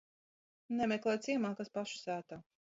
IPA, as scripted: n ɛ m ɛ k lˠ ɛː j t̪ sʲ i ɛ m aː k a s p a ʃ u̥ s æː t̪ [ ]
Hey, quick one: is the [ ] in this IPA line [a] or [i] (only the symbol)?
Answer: a